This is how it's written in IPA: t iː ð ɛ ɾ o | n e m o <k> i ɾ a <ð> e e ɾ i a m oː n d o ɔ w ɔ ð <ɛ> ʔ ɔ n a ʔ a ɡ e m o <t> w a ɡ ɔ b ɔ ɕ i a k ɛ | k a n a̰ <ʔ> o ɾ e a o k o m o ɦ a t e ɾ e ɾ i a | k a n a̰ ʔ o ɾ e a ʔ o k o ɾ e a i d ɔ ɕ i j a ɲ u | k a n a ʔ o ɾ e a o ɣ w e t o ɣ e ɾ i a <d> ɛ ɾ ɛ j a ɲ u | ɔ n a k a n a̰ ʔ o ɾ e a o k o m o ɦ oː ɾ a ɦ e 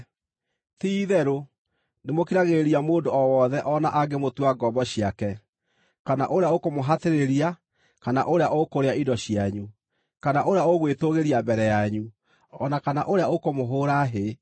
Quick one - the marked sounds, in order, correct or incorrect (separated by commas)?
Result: correct, incorrect, correct, correct, correct, incorrect